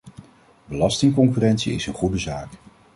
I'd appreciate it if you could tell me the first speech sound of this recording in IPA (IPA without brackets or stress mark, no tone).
b